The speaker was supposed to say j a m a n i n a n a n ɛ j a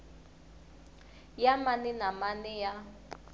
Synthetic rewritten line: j a m a n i n a m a n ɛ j a

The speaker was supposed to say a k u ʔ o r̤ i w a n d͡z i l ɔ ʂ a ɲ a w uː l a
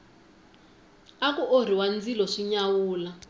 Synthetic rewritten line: a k u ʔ o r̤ i w a n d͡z i l ɔ ʂ i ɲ a w uː l a

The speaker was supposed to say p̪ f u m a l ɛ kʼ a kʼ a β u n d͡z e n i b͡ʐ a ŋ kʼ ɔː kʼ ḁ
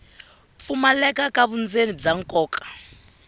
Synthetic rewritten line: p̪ f u m a l ɛ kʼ a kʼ a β u n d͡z e n i b͡ʐ a ŋ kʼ ɔː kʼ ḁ

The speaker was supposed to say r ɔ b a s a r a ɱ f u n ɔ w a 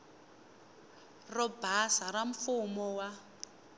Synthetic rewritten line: r ɔ b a s a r a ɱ f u m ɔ w a

